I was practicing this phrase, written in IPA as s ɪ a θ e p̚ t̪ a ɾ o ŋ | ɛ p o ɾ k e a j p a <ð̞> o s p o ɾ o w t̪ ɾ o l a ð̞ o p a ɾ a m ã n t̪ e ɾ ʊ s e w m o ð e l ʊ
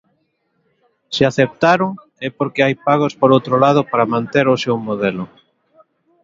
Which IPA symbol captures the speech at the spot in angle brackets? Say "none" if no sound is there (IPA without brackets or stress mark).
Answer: ɣ̞